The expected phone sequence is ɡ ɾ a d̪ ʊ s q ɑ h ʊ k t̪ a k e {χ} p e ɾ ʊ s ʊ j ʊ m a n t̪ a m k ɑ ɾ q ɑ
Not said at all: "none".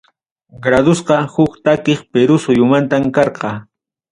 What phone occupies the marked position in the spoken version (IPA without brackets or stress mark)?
χ